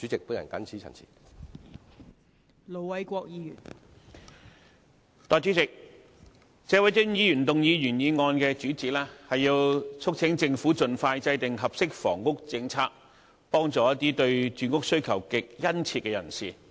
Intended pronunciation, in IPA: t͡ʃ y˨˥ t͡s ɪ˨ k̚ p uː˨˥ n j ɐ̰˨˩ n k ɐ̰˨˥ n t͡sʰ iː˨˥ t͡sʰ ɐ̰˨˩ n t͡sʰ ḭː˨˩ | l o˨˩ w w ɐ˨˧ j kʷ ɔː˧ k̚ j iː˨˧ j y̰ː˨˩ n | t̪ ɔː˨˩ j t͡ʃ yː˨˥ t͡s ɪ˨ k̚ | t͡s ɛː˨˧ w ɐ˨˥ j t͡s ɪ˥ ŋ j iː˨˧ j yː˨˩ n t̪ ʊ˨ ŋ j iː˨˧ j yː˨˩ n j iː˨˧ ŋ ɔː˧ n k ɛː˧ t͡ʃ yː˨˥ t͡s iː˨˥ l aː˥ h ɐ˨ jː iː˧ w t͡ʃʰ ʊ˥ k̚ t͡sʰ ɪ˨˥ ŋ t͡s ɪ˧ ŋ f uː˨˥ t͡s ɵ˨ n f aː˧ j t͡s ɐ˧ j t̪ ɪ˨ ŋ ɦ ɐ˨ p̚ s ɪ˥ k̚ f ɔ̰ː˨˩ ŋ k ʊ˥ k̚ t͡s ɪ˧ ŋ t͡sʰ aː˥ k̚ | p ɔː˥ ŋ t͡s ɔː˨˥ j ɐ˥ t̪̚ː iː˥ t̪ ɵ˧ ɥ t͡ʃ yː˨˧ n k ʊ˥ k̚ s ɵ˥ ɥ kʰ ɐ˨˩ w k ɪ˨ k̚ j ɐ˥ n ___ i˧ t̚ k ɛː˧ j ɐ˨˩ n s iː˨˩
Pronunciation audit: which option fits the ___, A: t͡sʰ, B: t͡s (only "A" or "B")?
A